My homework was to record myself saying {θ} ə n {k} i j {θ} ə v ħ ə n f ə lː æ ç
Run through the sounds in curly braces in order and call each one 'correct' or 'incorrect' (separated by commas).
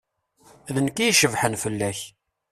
incorrect, correct, incorrect